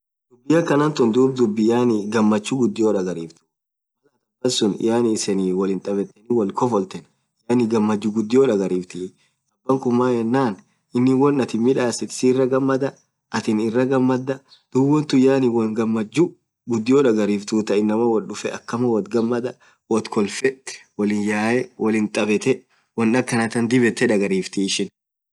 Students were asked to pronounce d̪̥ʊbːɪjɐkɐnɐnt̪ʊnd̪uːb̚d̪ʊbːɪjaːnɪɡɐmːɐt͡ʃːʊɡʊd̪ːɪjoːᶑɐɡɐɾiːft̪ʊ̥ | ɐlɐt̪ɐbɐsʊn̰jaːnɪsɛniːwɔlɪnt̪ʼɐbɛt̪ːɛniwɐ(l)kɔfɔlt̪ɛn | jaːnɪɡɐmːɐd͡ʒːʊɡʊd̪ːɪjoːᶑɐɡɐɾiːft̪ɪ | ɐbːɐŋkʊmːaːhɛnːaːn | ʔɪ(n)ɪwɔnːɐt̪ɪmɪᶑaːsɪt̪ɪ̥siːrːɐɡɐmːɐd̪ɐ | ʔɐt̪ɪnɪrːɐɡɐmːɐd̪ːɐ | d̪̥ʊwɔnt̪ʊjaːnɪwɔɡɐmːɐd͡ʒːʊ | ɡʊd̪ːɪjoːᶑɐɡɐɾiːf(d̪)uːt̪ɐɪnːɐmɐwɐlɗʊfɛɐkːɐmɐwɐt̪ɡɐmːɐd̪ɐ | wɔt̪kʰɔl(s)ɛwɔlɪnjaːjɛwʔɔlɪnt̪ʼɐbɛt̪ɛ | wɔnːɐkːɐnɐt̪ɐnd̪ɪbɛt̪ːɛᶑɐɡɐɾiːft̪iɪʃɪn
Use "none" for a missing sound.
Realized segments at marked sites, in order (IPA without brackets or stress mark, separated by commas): l, nː, t̪, f